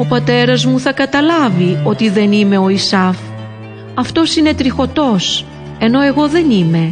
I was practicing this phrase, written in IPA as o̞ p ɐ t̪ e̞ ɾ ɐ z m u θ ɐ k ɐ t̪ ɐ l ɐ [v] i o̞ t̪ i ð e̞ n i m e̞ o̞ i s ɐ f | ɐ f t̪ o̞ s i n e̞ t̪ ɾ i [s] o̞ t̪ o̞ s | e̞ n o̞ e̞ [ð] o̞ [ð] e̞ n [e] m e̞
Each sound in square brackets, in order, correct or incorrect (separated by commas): correct, incorrect, incorrect, correct, incorrect